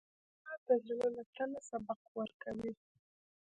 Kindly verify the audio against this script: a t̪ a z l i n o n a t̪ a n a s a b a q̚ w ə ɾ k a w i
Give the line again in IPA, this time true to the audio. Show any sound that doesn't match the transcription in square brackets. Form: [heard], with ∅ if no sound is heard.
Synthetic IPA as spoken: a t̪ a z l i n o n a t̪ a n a s a b a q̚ w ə ɾ k a w i